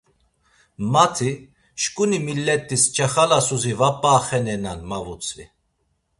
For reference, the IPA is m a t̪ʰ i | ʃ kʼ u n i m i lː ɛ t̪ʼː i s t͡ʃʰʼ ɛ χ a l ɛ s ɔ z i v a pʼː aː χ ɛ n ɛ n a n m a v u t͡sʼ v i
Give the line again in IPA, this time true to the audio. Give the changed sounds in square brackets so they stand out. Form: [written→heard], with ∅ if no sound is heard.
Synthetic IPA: m a t̪ʰ i | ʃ kʼ u n i m i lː ɛ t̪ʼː i s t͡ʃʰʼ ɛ χ a l [ɛ→a] s [ɔ→u] z i v a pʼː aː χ ɛ n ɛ n a n m a v u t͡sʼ v i